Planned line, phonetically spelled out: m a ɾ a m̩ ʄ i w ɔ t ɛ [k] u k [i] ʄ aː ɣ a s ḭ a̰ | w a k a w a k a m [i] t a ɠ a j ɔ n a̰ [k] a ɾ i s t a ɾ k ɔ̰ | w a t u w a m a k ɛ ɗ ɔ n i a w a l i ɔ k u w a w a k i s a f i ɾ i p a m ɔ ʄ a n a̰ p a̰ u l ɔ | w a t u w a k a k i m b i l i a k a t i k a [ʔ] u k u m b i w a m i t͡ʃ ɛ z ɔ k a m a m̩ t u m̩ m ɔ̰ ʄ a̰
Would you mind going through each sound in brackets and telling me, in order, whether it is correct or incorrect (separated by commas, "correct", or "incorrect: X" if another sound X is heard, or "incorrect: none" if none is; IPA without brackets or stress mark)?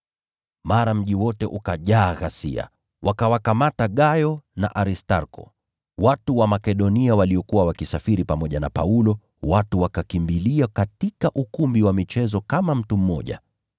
incorrect: ʔ, incorrect: a, incorrect: a, incorrect: ʔ, correct